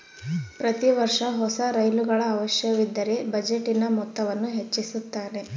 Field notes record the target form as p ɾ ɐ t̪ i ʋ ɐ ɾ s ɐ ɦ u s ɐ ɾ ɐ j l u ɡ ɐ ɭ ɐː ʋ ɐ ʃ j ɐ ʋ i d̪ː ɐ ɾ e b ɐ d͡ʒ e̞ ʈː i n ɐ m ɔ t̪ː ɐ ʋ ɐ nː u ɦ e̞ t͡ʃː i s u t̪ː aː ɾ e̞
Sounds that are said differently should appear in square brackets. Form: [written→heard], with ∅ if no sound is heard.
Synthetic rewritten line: p ɾ ɐ t̪ i ʋ ɐ ɾ [s→ʂ] ɐ ɦ [u→ɔ] s ɐ ɾ ɐ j l u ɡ ɐ ɭ ɐː ʋ ɐ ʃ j ɐ ʋ i d̪ː ɐ ɾ e b ɐ d͡ʒ e̞ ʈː i n ɐ m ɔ t̪ː ɐ ʋ ɐ nː u ɦ e̞ t͡ʃː i s u t̪ː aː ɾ e̞